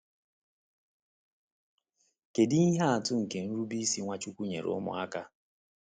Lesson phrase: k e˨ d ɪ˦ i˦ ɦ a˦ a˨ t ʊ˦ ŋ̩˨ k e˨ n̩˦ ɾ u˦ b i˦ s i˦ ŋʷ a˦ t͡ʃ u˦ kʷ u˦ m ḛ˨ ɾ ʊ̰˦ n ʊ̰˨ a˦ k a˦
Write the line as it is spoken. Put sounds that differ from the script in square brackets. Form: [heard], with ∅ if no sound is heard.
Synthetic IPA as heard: k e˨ d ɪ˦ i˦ ɦ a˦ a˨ t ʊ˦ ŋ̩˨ k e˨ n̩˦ ɾ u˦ b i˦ s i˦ ŋʷ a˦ t͡ʃ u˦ kʷ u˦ [ɲ] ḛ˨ ɾ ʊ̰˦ [m] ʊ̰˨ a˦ k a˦